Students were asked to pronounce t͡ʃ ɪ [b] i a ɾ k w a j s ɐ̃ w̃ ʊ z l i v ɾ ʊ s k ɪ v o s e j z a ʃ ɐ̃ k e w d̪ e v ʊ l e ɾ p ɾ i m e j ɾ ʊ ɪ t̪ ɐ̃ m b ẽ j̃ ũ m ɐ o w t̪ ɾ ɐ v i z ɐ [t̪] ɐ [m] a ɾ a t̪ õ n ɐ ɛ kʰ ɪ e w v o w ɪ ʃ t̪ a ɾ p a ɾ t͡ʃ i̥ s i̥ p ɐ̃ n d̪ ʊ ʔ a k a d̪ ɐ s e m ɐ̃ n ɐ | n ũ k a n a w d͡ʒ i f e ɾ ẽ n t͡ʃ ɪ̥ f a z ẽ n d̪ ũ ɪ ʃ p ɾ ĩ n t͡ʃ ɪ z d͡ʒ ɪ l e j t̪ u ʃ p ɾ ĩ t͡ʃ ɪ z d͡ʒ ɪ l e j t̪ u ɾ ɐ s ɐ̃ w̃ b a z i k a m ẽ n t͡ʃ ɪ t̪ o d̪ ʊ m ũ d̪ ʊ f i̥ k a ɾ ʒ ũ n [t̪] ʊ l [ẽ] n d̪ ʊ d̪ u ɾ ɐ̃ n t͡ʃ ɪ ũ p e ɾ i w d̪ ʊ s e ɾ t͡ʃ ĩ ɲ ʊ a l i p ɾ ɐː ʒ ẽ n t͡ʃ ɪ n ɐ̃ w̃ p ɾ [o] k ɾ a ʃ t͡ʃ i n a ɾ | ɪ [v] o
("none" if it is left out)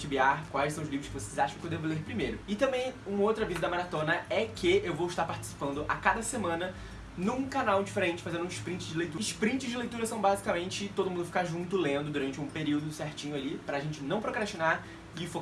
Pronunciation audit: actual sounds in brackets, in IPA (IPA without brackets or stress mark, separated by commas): b, d̪, m, t̪, ẽ, o, f